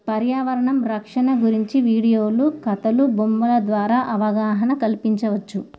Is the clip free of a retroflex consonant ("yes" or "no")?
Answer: no